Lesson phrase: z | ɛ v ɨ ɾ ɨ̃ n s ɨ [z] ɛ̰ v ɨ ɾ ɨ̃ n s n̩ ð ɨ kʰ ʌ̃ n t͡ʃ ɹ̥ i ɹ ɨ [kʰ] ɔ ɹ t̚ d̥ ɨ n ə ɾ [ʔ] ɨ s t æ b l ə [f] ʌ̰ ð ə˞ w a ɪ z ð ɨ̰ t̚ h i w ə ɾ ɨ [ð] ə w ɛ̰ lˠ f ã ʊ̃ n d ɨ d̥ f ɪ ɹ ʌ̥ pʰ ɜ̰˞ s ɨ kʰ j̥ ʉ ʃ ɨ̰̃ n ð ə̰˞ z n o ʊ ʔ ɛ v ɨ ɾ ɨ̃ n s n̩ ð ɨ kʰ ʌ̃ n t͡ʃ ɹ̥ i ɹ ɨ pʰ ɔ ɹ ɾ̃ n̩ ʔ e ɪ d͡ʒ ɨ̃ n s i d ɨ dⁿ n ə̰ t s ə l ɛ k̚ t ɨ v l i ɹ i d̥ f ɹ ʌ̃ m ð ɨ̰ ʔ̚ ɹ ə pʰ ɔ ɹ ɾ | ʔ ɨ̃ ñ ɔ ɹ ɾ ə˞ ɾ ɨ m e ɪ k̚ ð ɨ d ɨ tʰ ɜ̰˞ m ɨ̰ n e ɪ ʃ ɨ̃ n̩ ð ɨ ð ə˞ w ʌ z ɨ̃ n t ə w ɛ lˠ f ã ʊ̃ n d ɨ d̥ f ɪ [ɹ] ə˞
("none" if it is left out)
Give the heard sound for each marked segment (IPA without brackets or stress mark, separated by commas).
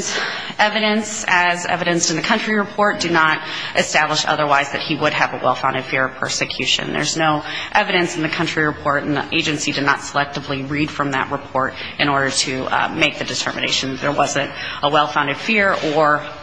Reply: z, pʰ, ʔ, ʃ, v, ɹ